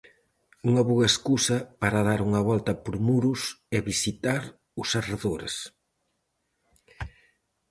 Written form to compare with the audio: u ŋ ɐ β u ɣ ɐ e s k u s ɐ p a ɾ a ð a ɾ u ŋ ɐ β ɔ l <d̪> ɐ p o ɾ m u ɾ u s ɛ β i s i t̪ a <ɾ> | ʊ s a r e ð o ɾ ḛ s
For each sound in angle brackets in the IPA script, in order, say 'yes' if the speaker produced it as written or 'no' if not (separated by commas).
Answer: no, yes